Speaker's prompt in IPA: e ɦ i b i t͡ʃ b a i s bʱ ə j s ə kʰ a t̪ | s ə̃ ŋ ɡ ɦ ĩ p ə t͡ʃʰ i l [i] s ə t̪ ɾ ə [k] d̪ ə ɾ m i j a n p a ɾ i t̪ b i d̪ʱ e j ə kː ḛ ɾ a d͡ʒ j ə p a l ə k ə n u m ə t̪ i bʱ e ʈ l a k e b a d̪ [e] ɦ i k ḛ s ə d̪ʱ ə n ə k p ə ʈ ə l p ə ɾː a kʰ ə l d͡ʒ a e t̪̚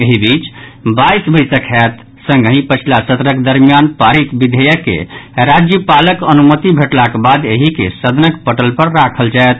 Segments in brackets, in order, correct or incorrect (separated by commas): incorrect, correct, correct